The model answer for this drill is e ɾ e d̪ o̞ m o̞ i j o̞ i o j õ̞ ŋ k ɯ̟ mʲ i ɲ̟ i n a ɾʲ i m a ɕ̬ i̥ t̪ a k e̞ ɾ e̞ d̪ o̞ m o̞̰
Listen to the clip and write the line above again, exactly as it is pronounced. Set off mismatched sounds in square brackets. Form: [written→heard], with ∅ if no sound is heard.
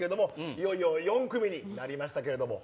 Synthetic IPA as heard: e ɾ e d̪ o̞ m o̞ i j o̞ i o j õ̞ ŋ k ɯ̟ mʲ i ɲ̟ i n a ɾʲ i m a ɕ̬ i̥ t̪ a k e̞ ɾ e̞ d̪ o̞ m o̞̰